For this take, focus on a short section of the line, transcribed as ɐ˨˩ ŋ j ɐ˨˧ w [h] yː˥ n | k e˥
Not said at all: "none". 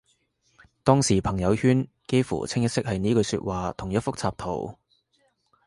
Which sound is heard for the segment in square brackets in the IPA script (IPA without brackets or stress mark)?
h